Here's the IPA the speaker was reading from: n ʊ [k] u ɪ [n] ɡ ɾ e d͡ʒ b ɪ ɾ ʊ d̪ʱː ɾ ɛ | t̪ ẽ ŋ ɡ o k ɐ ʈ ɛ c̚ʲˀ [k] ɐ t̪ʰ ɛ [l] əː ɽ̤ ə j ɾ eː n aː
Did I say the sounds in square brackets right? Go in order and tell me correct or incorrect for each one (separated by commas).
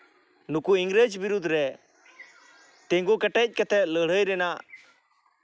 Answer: correct, incorrect, correct, correct